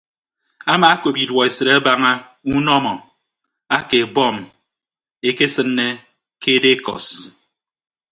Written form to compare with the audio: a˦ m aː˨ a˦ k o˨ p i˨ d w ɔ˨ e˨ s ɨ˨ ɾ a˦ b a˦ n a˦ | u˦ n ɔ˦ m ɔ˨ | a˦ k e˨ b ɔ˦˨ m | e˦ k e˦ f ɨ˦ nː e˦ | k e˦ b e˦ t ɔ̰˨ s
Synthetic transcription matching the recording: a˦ m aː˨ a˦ k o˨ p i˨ d w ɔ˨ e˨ s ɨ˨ ɾ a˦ b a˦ ŋ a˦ | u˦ n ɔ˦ m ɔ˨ | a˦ k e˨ b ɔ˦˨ m | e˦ k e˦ s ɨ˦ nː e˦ | k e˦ d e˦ k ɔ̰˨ s